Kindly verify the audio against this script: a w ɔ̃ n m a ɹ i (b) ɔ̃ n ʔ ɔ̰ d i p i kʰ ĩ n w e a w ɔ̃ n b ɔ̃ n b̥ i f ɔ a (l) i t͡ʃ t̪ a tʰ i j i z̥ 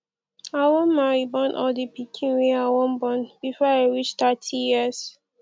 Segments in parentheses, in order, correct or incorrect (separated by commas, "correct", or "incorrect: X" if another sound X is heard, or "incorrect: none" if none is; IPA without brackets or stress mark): correct, incorrect: ɹ